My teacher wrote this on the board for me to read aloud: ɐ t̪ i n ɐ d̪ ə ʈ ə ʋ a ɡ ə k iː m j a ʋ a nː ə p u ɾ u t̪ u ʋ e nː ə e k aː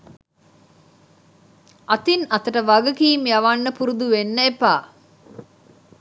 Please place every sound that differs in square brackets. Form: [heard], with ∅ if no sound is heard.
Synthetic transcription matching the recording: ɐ t̪ i n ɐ [t̪] ə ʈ ə ʋ a ɡ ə k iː m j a ʋ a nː ə p u ɾ u [d̪] u ʋ e nː ə e [p] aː